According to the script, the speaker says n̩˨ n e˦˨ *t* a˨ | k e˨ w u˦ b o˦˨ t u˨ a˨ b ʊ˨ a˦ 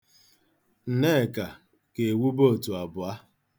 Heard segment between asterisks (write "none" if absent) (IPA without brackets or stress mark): k